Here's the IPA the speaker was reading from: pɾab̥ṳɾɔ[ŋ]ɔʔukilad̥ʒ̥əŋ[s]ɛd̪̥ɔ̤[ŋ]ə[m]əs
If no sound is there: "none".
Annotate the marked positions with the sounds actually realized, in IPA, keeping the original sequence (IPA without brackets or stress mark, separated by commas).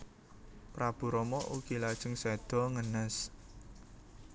m, s, ŋ, n